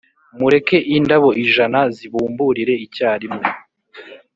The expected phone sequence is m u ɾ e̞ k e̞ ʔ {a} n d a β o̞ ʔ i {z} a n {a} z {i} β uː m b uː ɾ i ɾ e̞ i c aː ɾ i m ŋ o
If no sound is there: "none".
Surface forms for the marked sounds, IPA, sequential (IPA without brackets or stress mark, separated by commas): i, ʒ, a, i